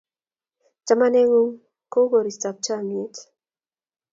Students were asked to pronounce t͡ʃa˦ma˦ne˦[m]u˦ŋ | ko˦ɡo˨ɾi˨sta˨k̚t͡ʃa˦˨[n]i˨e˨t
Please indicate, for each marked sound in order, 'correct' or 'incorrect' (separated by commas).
incorrect, incorrect